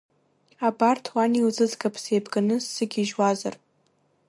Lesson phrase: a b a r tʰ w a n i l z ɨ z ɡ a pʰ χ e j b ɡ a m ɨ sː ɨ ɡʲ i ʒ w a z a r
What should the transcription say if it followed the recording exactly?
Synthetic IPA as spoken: a b a r tʰ w a n i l z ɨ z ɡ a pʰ s e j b ɡ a n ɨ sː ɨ ɡʲ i ʒ w a z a r